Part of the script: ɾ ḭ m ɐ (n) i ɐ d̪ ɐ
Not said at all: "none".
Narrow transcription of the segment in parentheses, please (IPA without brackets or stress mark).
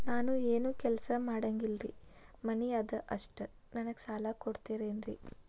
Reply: n